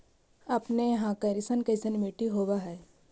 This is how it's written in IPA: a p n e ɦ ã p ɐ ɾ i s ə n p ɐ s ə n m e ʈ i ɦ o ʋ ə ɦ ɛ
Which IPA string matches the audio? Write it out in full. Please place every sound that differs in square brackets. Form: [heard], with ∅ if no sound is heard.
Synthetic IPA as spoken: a p n e ɦ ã [k] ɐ ɾ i s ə n [k] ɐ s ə n m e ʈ i ɦ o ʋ [a] ɦ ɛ